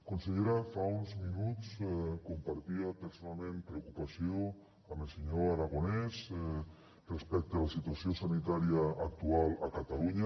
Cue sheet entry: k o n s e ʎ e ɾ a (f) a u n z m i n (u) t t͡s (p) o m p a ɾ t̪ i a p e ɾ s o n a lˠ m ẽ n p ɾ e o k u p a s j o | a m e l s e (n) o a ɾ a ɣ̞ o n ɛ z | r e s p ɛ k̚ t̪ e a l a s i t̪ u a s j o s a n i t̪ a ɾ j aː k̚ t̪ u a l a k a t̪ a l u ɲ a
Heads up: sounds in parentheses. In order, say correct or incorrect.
correct, correct, incorrect: k, incorrect: ɲ

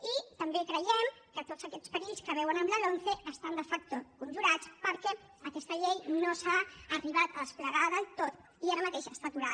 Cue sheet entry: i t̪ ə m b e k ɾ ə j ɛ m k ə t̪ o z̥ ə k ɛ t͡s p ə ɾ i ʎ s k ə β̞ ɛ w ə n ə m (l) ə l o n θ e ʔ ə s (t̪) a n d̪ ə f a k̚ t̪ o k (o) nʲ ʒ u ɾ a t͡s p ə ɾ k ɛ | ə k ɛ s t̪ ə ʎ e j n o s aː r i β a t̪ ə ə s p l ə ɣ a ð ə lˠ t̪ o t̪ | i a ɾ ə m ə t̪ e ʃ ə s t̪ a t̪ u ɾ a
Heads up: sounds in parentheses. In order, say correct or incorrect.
correct, correct, incorrect: u

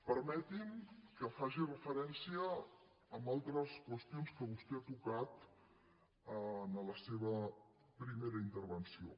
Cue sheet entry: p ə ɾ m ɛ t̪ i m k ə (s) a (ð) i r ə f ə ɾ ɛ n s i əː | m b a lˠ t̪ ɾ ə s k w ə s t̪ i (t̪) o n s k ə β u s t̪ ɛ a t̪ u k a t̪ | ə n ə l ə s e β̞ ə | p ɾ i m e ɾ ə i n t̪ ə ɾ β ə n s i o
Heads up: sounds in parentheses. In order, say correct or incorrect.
incorrect: f, incorrect: ʒ, incorrect: none

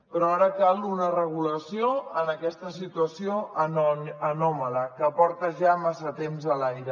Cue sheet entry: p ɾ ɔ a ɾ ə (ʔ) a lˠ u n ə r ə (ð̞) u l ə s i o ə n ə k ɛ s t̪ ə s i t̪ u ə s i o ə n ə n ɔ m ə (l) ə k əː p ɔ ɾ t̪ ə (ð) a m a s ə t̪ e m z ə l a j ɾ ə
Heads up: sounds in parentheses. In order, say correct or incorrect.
incorrect: k, incorrect: ɣ̞, correct, incorrect: ʒ

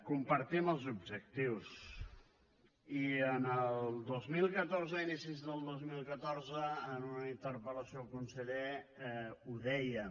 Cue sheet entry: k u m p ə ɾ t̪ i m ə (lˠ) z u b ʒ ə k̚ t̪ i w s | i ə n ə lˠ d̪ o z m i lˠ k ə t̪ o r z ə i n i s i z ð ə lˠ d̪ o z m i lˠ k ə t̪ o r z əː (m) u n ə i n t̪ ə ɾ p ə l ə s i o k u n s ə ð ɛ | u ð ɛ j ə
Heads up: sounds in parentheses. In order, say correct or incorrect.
correct, incorrect: n

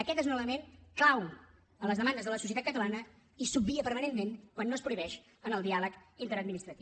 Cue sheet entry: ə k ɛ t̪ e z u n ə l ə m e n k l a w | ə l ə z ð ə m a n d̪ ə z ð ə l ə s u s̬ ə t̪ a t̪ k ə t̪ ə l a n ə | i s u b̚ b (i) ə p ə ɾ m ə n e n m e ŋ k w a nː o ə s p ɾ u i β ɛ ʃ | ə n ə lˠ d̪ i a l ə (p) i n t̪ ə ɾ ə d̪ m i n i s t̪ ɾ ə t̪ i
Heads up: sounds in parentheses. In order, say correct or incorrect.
correct, incorrect: k

